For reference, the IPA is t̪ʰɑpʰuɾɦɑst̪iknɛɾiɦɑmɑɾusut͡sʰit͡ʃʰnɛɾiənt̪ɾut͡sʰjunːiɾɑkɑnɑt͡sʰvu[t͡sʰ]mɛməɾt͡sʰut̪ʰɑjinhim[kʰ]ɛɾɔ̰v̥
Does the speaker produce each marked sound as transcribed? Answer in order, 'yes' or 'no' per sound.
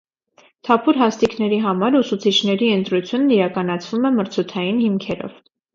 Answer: no, yes

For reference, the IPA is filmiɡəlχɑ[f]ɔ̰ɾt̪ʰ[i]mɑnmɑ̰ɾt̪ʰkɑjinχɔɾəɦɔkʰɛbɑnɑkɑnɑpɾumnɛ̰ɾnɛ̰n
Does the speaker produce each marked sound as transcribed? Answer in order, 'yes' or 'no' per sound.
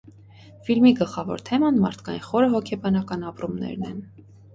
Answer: no, no

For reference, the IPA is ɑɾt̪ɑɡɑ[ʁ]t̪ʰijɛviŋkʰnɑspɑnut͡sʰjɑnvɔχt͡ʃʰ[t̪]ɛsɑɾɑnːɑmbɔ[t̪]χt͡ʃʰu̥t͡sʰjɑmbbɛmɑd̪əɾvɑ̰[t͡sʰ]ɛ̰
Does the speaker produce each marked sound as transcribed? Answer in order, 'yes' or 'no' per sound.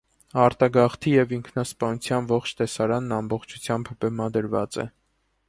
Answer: no, yes, no, no

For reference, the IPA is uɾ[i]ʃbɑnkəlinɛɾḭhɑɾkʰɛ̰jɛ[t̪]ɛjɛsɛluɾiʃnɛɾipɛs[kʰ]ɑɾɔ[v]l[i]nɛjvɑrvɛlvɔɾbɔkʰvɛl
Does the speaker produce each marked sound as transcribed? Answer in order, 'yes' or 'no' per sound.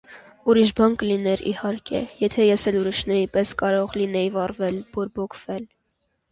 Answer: yes, no, no, no, yes

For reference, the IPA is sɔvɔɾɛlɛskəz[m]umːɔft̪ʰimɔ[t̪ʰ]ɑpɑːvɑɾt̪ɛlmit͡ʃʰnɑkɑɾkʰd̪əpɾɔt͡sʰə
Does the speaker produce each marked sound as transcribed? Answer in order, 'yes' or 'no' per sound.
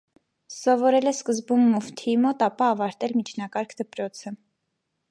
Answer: no, no

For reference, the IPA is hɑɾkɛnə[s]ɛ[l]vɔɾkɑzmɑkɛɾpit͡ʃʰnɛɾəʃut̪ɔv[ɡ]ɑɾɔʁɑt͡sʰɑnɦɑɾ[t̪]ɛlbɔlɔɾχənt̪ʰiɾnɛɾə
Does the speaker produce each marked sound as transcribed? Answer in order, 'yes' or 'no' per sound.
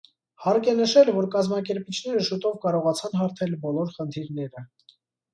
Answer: no, yes, no, no

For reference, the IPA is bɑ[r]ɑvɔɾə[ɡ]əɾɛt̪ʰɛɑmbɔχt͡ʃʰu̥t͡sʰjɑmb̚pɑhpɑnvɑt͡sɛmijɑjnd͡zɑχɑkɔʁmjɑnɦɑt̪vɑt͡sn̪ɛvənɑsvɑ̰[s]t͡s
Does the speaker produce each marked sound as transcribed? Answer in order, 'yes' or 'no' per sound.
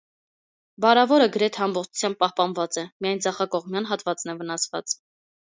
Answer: no, yes, no

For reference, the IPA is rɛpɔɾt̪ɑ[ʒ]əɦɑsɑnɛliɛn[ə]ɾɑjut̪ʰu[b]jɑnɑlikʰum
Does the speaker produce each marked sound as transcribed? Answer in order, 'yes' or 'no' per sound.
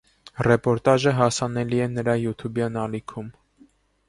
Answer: yes, yes, yes

